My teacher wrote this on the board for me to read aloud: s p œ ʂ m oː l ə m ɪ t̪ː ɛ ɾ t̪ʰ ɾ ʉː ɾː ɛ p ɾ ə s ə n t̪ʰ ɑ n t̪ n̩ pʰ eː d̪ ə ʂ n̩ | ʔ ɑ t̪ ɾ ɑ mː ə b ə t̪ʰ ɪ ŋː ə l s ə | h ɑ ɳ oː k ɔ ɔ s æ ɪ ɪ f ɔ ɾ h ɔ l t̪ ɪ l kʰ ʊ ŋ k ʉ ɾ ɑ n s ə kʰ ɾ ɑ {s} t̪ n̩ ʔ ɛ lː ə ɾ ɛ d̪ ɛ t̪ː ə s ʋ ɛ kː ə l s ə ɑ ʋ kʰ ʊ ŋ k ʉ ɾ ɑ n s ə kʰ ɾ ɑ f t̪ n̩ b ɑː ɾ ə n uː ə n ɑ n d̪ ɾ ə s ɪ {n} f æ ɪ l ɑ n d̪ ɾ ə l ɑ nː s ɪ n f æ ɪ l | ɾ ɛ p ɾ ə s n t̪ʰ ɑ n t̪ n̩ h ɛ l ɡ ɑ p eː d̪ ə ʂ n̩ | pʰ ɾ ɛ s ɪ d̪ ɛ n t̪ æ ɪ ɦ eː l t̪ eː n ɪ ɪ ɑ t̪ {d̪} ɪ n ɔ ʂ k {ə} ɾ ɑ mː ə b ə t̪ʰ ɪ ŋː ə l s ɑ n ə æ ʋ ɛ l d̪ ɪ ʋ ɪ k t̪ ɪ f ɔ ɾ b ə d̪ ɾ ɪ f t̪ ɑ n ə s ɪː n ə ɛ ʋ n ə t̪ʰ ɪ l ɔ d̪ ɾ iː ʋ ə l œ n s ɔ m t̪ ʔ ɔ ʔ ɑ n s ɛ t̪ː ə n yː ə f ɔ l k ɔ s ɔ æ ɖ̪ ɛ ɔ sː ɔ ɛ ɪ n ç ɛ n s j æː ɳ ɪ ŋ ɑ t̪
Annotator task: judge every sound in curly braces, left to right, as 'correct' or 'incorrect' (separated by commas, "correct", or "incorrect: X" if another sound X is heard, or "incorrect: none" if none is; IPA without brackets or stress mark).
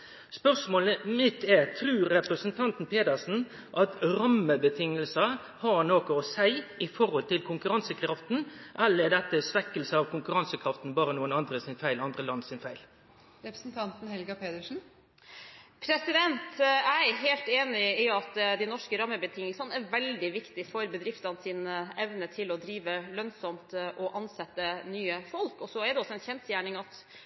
incorrect: f, correct, correct, correct